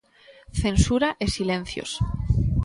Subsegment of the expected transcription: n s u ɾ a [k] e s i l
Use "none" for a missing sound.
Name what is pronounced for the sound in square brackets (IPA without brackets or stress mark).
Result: ʔ